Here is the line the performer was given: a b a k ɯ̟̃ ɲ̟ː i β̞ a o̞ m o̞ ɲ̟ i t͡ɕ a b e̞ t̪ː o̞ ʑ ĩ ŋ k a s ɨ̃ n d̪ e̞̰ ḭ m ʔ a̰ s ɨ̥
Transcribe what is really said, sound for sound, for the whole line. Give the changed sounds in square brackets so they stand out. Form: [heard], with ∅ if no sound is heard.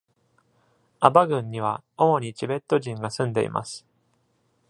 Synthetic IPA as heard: a b a [ɡ] ɯ̟̃ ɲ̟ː i β̞ a o̞ m o̞ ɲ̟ i t͡ɕ [i] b e̞ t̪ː o̞ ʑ ĩ ŋ [ɡ] a s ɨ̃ n d̪ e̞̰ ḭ m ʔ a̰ s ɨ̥